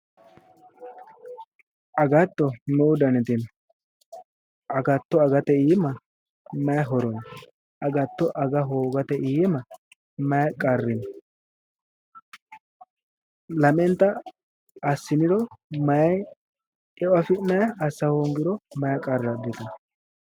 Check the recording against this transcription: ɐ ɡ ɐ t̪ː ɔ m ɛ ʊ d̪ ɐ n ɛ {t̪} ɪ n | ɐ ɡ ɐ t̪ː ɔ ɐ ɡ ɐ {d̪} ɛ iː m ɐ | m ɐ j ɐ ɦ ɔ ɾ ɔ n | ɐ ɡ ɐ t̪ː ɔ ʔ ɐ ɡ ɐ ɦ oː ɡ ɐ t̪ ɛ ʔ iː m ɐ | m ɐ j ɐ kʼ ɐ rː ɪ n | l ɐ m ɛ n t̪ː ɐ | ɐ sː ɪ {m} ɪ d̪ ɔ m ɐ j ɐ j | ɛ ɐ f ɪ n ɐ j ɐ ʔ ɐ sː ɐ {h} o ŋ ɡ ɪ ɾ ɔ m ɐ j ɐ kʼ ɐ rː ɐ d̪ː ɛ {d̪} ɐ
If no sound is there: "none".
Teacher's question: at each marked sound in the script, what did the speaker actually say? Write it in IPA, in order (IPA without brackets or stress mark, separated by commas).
t̪, t̪, n, h, t̪